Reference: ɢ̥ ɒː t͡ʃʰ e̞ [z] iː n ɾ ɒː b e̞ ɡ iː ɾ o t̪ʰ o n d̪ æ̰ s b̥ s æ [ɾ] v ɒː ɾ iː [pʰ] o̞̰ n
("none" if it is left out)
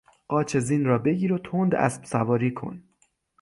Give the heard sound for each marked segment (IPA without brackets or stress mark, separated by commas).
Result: z, none, kʰ